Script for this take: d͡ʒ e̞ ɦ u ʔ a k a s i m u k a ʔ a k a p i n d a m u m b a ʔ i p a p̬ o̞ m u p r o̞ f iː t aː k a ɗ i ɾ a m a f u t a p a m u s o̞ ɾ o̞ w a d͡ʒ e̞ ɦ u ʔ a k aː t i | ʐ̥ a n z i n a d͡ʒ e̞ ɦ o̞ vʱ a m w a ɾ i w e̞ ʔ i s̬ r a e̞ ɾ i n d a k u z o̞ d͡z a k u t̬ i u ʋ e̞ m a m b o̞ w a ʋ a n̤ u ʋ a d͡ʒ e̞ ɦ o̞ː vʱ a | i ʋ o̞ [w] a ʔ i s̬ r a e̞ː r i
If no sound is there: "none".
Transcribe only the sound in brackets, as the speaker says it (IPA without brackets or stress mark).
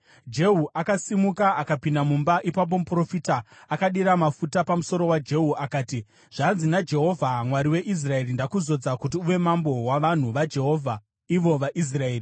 ʋ